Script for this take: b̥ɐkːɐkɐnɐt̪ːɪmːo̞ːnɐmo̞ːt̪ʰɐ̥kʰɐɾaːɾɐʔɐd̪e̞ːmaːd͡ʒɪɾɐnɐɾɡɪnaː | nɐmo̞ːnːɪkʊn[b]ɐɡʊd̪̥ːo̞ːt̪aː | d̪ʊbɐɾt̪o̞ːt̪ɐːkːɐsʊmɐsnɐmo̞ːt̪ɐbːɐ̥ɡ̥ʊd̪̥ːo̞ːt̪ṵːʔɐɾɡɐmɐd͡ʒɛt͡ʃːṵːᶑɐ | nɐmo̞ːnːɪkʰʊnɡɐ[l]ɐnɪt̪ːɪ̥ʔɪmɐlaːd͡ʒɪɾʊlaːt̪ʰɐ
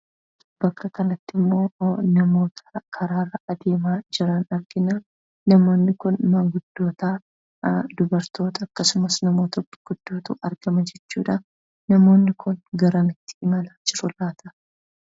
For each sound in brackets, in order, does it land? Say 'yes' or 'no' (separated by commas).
no, no